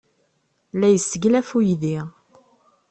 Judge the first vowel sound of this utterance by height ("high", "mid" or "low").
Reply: low